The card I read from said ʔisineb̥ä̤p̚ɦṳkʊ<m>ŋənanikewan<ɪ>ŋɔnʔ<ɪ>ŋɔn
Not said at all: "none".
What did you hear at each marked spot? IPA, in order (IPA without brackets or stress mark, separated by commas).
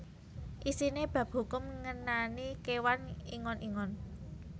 m, i, i